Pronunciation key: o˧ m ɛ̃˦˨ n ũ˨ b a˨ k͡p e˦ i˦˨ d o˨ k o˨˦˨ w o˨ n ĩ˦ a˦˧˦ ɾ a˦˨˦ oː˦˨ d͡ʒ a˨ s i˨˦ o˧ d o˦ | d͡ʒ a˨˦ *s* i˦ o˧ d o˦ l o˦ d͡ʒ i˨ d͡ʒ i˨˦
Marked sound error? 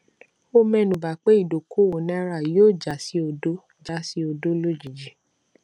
no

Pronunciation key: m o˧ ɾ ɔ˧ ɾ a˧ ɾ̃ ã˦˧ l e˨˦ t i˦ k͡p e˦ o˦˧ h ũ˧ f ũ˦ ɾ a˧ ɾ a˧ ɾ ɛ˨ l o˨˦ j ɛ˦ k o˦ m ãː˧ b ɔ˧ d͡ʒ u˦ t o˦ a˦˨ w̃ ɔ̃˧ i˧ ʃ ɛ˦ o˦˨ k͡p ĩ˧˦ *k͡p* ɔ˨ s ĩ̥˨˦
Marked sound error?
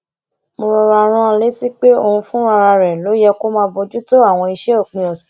yes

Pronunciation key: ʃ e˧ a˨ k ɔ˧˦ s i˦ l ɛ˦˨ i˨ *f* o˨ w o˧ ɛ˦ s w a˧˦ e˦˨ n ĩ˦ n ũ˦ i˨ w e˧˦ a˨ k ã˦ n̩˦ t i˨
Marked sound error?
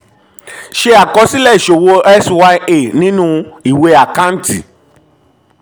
yes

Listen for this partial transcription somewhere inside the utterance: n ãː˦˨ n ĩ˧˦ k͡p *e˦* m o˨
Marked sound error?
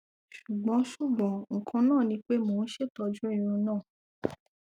no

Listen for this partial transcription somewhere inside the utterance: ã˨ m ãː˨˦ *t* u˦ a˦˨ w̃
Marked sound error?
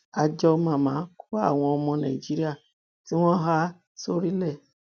yes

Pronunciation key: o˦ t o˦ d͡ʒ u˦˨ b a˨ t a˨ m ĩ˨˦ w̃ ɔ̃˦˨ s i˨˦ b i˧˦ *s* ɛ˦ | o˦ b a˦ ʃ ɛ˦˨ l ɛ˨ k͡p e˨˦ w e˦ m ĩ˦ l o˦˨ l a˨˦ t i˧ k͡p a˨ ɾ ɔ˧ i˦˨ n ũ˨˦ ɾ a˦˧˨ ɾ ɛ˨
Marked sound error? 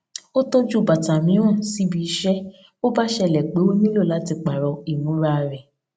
yes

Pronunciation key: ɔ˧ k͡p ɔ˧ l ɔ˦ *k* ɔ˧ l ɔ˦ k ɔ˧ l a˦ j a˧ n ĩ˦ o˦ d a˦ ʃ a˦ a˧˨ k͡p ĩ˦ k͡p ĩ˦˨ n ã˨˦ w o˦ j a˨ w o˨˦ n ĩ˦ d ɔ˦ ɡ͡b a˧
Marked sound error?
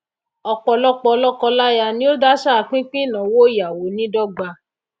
yes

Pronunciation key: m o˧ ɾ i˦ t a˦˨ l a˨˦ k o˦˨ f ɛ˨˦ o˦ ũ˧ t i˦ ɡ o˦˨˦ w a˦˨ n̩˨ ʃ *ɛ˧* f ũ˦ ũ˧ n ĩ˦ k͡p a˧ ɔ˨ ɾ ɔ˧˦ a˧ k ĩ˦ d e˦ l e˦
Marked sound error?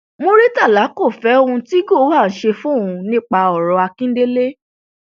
yes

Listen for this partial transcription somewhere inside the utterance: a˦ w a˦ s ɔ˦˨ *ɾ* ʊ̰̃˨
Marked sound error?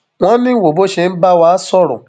no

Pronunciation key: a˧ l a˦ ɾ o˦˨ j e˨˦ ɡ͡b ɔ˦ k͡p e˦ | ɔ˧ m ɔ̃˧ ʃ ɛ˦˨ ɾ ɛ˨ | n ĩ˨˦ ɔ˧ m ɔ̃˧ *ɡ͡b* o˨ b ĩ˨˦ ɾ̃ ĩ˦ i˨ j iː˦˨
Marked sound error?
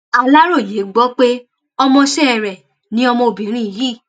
yes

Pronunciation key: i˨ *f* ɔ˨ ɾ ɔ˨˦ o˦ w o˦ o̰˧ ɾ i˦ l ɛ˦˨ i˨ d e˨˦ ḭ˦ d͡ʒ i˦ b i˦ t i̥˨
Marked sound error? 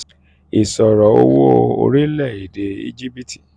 yes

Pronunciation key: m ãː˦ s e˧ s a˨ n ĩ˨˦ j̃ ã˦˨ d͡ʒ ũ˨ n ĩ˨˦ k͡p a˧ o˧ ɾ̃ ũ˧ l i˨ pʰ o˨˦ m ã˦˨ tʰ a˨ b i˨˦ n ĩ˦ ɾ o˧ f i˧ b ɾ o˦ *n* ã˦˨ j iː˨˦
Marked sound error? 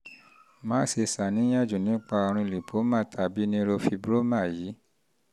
yes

